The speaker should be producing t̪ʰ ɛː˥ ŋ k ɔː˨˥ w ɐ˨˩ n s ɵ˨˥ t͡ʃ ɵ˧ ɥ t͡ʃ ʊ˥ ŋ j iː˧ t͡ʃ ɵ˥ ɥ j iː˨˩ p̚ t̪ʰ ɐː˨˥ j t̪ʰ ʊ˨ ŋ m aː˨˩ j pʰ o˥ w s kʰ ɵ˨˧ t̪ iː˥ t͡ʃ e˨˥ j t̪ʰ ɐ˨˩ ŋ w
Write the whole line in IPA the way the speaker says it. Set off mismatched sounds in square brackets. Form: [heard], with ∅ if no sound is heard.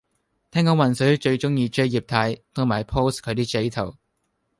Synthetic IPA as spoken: t̪ʰ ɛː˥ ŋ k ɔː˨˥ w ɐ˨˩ n s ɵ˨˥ t͡ʃ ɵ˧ ɥ t͡ʃ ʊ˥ ŋ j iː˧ t͡ʃ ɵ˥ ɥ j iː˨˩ p̚ t̪ʰ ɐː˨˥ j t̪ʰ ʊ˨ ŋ m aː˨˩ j pʰ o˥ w s kʰ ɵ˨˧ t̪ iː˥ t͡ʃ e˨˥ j t̪ʰ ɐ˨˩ [∅] w